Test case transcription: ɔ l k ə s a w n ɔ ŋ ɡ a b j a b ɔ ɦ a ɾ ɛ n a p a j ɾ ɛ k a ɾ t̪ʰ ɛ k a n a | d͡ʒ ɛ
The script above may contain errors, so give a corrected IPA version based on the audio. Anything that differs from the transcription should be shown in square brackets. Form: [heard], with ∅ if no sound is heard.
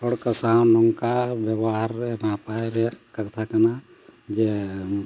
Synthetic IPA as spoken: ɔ [ɽ] k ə s a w n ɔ ŋ [k] a b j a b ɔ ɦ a ɾ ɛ n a p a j ɾ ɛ k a ɾ t̪ʰ [a] k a n a | d͡ʒ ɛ

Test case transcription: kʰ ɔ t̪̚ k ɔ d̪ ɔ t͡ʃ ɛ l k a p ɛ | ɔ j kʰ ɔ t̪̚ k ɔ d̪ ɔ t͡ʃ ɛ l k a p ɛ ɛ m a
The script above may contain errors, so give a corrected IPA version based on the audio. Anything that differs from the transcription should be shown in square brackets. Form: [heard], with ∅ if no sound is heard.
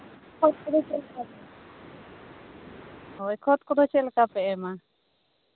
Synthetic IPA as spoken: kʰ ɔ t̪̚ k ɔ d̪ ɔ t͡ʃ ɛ l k a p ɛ | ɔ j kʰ ɔ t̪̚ k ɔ d̪ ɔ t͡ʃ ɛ l k a p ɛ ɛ m a

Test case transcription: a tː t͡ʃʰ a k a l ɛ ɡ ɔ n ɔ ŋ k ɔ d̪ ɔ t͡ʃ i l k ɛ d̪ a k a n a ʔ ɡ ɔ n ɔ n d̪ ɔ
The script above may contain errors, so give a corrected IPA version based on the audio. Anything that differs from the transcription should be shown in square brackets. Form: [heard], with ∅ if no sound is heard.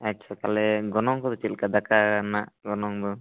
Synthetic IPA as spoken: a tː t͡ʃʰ a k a l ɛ ɡ ɔ n ɔ ŋ k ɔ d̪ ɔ t͡ʃ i l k [a] d̪ a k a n a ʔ ɡ ɔ n ɔ [ŋ] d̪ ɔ

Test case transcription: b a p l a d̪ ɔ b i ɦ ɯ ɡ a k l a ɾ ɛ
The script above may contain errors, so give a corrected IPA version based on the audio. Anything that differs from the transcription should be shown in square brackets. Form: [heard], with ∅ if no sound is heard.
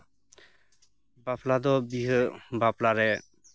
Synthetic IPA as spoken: b a p l a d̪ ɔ b i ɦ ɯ [b] a [p] l a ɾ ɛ

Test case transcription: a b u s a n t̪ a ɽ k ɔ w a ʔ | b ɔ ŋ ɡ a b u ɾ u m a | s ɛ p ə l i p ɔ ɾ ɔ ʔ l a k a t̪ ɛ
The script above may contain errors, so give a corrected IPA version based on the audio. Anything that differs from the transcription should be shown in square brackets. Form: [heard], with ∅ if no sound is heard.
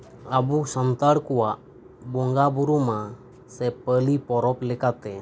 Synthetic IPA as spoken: a b u s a n t̪ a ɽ k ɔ w a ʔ | b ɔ ŋ ɡ a b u ɾ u m a | s ɛ p ə l i p ɔ ɾ ɔ [p] l [ɛ] k a t̪ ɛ

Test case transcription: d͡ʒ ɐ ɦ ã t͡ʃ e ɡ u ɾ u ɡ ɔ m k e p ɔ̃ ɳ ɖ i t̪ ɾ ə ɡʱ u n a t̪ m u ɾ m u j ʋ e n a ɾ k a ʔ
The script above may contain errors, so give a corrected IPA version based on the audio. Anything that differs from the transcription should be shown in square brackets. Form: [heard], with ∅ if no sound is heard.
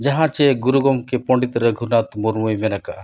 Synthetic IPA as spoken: d͡ʒ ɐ ɦ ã t͡ʃ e ɡ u ɾ u ɡ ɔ m k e p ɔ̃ ɳ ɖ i t̪ ɾ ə ɡʱ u n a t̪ m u ɾ m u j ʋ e n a [∅] k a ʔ

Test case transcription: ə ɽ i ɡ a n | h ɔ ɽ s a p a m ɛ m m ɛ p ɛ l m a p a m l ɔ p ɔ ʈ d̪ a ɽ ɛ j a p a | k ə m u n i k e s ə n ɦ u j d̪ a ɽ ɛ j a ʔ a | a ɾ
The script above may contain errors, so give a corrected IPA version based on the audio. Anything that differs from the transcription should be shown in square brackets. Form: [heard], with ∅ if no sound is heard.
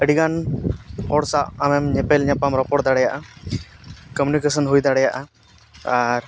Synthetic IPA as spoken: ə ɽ i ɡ a n | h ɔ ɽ s a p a m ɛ m [ɲ] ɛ p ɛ l [ɲ] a p a m [ɾ] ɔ p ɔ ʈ d̪ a ɽ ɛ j a [ʔ] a | k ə m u n i k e s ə n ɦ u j d̪ a ɽ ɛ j a ʔ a | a ɾ

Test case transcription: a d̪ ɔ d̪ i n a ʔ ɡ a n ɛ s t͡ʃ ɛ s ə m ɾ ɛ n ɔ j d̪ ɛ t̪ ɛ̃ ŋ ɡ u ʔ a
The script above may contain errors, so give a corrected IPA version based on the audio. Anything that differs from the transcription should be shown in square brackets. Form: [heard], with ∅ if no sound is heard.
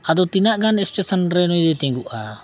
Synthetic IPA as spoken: a d̪ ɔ [t̪] i n a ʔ ɡ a n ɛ s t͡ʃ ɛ s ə [n] ɾ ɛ n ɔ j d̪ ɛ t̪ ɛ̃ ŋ ɡ u ʔ a

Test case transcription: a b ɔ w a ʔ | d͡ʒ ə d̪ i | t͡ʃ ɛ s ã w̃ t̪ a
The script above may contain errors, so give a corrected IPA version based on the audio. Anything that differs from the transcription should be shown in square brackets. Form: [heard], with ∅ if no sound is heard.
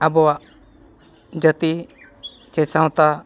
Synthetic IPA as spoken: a b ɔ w a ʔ | d͡ʒ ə [t̪] i | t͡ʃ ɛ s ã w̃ t̪ a

